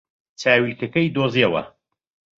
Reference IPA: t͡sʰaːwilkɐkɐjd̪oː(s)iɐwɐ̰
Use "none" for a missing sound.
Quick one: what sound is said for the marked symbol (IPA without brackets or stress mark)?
z